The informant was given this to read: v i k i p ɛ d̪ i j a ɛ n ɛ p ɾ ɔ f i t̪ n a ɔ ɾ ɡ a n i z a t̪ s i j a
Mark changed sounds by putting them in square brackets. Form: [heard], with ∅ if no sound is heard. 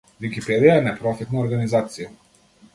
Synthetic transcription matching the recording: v i k i p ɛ d̪ i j a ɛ n ɛ p ɾ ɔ f i t̪ n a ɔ ɾ ɡ a n i z a t̪ s i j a

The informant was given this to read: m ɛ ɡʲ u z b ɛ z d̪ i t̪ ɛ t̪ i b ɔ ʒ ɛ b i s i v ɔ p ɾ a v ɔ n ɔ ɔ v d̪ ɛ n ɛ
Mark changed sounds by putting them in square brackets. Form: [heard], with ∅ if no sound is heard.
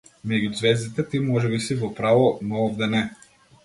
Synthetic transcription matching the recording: m ɛ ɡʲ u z [v] ɛ z d̪ i t̪ ɛ t̪ i [m] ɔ ʒ ɛ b i s i v ɔ p ɾ a v ɔ n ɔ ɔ v d̪ ɛ n ɛ

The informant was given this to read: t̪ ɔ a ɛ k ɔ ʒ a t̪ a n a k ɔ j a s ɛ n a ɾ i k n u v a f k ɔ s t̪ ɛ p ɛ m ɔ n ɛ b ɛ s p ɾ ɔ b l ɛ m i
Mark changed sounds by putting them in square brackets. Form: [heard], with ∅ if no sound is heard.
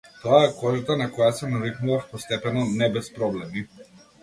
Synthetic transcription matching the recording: t̪ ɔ a ɛ k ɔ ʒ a t̪ a n a k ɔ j a s ɛ n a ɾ i k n u v a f [p] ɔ s t̪ ɛ p ɛ [n] ɔ n ɛ b ɛ s p ɾ ɔ b l ɛ m i

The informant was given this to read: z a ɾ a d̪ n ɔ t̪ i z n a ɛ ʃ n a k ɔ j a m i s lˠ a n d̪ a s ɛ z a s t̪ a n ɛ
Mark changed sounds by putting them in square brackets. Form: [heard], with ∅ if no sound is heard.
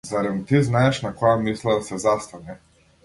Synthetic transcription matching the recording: z a ɾ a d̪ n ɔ t̪ i z n a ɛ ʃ n a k ɔ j a m i s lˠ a [∅] d̪ a s ɛ z a s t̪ a n ɛ

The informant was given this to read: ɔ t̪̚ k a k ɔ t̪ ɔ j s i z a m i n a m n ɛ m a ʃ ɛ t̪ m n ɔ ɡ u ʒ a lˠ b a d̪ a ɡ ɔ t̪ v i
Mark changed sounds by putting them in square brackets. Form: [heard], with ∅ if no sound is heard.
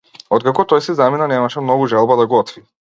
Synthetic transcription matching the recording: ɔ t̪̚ k a k ɔ t̪ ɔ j s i z a m i n a [∅] n ɛ m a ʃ ɛ [∅] m n ɔ ɡ u ʒ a lˠ b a d̪ a ɡ ɔ t̪ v i

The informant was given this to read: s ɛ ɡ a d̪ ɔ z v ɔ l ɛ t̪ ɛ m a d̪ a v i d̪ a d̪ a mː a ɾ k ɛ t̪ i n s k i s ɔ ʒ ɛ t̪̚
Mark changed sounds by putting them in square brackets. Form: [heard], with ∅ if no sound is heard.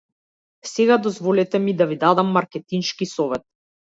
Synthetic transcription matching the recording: s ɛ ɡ a d̪ ɔ z v ɔ l ɛ t̪ ɛ m [i] d̪ a v i d̪ a d̪ a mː a ɾ k ɛ t̪ i n [ʃ] k i s ɔ [v] ɛ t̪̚

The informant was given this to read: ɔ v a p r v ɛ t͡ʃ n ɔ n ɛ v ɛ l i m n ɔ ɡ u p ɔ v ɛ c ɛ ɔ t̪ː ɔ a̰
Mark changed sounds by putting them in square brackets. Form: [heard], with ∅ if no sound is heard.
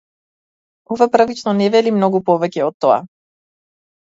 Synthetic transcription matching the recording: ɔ v a p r v [i] t͡ʃ n ɔ n ɛ v ɛ l i m n ɔ ɡ u p ɔ v ɛ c ɛ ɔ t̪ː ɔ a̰

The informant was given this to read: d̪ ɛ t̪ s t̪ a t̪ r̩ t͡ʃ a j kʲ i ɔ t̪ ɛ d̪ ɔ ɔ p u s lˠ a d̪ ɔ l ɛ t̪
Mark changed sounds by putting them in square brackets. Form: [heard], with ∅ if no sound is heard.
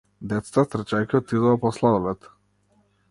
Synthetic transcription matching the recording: d̪ ɛ t̪ s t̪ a t̪ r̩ t͡ʃ a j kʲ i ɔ t̪ [i] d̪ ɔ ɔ p [ɔ] s lˠ a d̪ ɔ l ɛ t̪

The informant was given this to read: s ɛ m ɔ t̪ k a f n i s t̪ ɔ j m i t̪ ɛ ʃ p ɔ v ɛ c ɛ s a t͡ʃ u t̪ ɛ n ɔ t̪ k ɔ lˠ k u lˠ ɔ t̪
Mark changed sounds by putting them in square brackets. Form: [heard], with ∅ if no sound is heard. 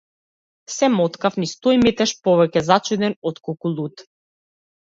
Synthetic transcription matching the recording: s ɛ m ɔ t̪ k a f n i s t̪ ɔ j m i t̪ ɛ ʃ p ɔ v ɛ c ɛ [z] a t͡ʃ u [d̪] ɛ n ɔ t̪ k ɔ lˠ k u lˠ [u] t̪

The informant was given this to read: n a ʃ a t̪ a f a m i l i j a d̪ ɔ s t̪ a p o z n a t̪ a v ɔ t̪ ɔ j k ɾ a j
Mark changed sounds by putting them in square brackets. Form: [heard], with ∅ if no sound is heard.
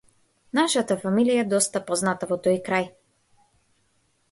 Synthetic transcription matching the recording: n a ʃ a t̪ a f a m i l i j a d̪ ɔ s t̪ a p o z n a t̪ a v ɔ t̪ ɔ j k ɾ a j

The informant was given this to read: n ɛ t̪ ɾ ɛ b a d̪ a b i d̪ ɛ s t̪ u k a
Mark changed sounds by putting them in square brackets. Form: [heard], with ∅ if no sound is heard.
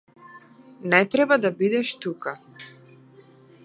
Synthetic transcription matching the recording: n ɛ t̪ ɾ ɛ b a d̪ a b i d̪ ɛ [ʃ] t̪ u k a

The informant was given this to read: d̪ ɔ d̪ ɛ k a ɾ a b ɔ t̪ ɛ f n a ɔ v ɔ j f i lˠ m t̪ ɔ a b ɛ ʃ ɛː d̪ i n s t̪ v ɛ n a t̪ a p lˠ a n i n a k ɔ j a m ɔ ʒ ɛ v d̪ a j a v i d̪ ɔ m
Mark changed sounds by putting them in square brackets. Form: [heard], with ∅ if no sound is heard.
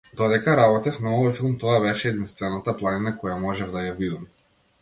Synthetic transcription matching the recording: d̪ ɔ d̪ ɛ k a ɾ a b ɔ t̪ ɛ f n a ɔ v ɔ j f i lˠ m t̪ ɔ a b ɛ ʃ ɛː d̪ i n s t̪ v ɛ n a t̪ a p lˠ a n i n a k ɔ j a m ɔ ʒ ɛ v d̪ a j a v i d̪ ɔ m

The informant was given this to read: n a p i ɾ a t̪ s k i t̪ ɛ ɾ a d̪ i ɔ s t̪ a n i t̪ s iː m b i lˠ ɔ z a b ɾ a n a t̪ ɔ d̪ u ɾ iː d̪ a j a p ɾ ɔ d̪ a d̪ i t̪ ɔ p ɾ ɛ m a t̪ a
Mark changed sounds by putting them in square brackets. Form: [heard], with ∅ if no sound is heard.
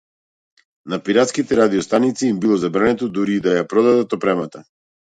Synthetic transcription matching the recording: n a p i ɾ a t̪ s k i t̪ ɛ ɾ a d̪ i ɔ s t̪ a n i t̪ s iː m b i lˠ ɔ z a b ɾ a n [ɛ] t̪ ɔ d̪ u ɾ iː d̪ a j a p ɾ ɔ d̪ a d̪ [a] t̪ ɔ p ɾ ɛ m a t̪ a

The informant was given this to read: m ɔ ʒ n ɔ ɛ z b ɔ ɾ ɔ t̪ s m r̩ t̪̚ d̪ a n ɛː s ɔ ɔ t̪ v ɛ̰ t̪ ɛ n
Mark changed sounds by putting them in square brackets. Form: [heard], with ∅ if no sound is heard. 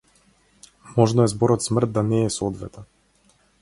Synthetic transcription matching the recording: m ɔ ʒ n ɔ ɛ z b ɔ ɾ ɔ t̪ s m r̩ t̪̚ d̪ a n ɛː s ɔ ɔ [d̪] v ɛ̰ t̪ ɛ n

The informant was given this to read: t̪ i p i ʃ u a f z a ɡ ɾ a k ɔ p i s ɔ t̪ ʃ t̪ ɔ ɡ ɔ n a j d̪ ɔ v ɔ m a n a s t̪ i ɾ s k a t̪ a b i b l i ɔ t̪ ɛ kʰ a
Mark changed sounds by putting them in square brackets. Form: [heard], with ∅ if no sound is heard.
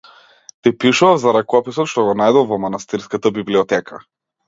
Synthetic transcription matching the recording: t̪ i p i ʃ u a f z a [∅] ɾ a k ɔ p i s ɔ t̪ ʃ t̪ ɔ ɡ ɔ n a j d̪ ɔ v ɔ m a n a s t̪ i ɾ s k a t̪ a b i b l i ɔ t̪ ɛ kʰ a

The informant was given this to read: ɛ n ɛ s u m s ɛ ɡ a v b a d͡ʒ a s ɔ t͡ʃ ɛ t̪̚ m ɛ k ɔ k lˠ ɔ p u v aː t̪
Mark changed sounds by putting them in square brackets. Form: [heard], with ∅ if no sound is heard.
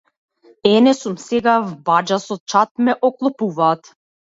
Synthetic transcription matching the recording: ɛ n ɛ s u m s ɛ ɡ a v b a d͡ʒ a s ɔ t͡ʃ [a] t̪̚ m ɛ [ʔ] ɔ k lˠ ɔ p u v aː t̪

